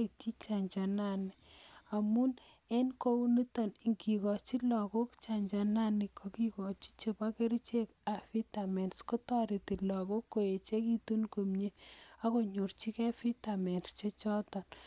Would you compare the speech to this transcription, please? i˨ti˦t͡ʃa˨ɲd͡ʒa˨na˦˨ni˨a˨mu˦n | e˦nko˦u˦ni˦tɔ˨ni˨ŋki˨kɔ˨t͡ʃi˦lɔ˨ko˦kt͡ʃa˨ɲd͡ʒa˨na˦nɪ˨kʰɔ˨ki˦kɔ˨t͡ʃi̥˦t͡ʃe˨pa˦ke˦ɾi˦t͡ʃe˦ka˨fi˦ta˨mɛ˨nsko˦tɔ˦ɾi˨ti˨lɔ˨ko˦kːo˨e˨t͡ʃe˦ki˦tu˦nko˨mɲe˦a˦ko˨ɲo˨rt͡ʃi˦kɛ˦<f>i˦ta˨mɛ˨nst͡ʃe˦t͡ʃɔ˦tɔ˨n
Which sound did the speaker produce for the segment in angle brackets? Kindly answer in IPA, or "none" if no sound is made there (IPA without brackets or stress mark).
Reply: f